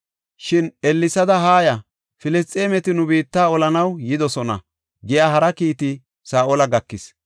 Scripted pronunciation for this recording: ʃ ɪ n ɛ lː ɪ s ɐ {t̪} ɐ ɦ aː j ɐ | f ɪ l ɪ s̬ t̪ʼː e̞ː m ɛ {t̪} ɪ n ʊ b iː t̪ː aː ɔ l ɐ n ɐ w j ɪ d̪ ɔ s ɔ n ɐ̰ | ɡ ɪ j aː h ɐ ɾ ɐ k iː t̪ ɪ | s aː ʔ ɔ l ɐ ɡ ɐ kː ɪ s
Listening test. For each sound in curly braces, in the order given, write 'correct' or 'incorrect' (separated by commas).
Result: incorrect, correct